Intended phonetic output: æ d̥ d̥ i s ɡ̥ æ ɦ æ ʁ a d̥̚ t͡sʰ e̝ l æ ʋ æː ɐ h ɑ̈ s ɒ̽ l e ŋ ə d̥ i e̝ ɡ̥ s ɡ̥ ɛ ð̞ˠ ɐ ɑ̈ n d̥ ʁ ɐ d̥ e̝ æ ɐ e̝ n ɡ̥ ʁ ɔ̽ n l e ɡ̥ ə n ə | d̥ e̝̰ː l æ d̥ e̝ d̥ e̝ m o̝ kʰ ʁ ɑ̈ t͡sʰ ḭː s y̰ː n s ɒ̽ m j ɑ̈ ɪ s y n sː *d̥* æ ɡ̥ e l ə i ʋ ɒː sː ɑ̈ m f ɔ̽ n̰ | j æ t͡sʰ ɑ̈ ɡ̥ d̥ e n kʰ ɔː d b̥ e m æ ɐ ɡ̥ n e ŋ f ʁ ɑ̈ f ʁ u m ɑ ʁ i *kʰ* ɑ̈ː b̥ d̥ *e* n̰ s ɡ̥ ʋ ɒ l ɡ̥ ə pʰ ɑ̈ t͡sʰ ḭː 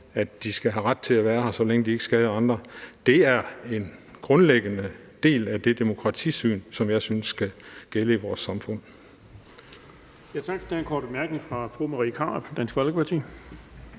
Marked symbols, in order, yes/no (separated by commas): no, yes, no